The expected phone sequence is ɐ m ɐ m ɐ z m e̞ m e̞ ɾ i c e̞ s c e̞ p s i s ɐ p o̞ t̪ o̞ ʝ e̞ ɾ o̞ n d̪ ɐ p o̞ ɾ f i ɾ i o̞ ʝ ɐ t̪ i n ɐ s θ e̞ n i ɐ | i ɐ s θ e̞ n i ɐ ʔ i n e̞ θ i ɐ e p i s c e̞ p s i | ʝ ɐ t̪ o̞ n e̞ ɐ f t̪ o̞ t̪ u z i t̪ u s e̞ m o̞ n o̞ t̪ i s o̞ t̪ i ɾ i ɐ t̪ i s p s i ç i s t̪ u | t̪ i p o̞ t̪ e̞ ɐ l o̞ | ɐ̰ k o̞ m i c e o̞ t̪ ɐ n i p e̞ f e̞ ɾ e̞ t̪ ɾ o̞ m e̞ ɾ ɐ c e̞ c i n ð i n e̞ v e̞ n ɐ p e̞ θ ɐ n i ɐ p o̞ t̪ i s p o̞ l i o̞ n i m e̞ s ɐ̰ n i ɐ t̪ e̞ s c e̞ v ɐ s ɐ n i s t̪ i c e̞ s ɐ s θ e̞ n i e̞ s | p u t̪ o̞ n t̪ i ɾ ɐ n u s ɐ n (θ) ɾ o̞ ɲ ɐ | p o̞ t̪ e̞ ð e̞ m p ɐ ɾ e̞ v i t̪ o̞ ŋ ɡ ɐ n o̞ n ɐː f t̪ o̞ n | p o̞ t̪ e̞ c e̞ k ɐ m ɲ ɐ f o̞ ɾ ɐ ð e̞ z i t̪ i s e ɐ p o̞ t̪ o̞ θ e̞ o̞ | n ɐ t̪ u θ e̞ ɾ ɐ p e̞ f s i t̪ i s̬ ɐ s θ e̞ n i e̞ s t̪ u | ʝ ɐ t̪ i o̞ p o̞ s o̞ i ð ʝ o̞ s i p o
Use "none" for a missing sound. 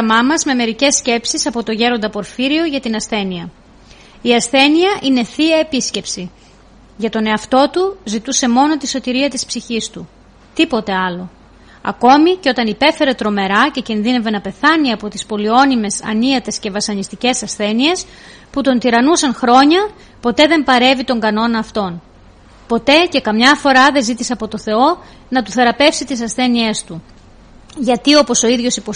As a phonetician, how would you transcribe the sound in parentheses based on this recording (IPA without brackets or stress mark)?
x